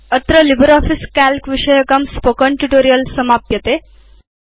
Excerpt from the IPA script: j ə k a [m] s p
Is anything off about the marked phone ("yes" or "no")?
no